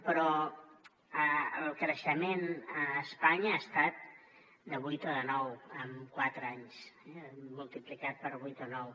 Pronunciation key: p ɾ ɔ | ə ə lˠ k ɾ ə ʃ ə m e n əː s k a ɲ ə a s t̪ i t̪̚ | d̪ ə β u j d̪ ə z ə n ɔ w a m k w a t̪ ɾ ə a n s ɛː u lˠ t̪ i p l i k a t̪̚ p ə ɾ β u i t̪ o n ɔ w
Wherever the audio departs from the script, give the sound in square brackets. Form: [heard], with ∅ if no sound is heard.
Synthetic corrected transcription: p ɾ ɔ | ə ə lˠ k ɾ ə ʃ ə m e n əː s [p] a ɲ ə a s t̪ [a] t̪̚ | d̪ ə β u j [t̪] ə [ð] ə n ɔ w [ə] m k w a t̪ ɾ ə a [ɲ] s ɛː u lˠ t̪ i p l i k a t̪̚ p ə ɾ β u [j] t̪ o n ɔ w